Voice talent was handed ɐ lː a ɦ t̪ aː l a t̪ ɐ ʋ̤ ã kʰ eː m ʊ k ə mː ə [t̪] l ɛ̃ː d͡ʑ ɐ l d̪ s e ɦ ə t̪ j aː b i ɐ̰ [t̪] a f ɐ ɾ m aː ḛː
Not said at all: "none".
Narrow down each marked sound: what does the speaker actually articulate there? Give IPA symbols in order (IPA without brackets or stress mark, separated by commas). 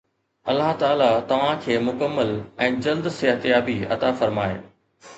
none, t̪